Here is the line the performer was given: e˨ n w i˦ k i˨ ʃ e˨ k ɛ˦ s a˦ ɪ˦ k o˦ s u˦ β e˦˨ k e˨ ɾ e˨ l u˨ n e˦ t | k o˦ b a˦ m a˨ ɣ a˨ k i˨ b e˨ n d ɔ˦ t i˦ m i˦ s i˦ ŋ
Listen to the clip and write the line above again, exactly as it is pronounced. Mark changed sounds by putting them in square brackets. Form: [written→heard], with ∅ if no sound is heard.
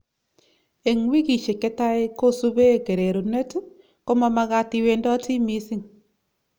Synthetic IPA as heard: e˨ [n→ŋ] w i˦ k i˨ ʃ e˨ k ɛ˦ [s→t] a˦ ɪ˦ k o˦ s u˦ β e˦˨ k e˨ ɾ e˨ [l→ɾ] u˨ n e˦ t | k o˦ [b→m] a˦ m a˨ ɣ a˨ [k→t] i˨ [b→w] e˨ n d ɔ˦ t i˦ m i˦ s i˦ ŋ